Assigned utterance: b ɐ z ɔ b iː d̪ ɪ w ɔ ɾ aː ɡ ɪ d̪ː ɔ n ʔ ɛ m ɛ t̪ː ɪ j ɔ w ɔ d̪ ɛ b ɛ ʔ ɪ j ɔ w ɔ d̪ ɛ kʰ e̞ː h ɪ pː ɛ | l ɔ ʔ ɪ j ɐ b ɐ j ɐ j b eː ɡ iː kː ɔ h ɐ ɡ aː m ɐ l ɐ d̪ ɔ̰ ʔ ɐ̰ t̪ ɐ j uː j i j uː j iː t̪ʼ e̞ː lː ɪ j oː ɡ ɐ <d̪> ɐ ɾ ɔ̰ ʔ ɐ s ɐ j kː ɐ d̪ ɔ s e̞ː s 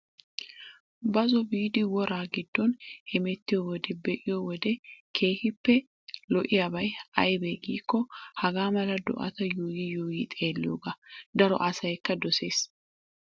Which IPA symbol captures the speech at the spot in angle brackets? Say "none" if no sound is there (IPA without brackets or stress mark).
d̪